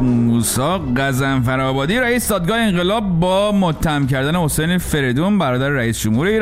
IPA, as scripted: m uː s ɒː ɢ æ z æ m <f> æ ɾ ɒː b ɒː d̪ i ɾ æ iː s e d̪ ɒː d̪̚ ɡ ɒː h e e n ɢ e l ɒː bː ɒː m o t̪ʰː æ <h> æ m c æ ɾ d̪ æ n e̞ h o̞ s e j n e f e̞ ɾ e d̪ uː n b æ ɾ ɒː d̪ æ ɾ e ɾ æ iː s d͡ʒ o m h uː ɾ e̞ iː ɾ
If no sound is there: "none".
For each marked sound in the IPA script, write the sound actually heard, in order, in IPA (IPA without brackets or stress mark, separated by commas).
f, h